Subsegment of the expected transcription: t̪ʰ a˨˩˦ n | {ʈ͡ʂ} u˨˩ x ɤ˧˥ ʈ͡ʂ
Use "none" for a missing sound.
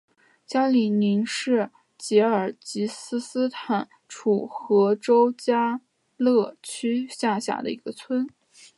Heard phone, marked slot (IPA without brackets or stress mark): ʈ͡ʂʰ